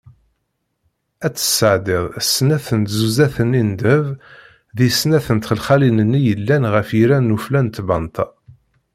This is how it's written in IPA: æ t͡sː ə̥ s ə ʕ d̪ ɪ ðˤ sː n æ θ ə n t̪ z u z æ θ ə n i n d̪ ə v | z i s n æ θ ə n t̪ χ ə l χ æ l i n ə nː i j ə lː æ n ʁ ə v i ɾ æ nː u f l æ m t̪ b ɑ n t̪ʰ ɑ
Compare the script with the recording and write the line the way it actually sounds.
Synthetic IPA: æ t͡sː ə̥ s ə ʕ d̪ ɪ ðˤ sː n æ θ ə n t̪ z u z æ θ ə n i n d̪ ə v | ð i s n æ θ ə n t̪ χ ə l χ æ l i n ə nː i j ə lː æ n ʁ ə f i ɾ æ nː u f l æ n t̪ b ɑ n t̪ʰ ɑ